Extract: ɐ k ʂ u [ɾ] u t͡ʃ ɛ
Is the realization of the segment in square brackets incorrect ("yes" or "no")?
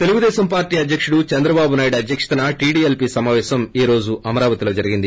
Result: yes